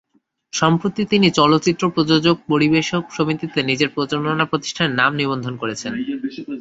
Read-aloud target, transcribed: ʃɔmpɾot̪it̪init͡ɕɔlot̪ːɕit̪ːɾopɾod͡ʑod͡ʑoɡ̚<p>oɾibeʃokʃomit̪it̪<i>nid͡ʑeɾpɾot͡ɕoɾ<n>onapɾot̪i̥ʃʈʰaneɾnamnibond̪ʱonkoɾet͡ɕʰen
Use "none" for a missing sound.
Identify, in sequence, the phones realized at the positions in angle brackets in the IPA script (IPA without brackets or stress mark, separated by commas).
p, e, n